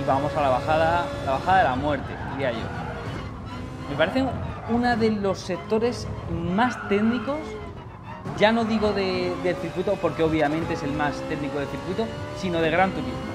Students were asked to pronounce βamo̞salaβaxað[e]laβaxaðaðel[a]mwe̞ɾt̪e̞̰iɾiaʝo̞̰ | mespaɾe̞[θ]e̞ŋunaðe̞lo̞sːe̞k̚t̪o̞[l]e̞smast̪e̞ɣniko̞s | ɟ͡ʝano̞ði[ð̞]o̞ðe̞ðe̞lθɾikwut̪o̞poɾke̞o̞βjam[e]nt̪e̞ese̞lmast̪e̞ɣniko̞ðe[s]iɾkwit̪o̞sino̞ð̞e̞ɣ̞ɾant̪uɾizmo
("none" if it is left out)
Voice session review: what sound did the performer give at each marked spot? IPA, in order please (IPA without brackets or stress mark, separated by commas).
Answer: a, a, θ, ɾ, ɣ̞, ẽ, θ